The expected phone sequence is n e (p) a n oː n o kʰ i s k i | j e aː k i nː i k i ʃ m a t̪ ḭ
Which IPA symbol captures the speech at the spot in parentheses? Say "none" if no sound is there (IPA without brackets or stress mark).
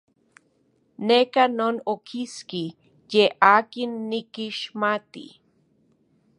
k